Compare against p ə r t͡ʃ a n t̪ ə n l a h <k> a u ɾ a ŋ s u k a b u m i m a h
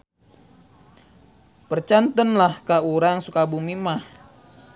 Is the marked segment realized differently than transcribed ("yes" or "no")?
no